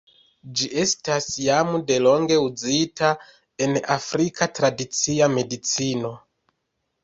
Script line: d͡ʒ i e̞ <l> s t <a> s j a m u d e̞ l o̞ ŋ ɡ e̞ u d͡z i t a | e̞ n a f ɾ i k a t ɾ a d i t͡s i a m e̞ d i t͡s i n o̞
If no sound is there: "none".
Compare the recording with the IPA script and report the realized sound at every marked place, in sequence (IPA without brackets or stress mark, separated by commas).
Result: none, a